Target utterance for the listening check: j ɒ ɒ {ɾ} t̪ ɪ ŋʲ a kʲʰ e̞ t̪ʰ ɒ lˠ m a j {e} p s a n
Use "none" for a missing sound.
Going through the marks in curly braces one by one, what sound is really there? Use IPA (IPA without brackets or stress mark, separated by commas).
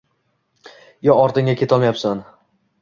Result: ɾ, a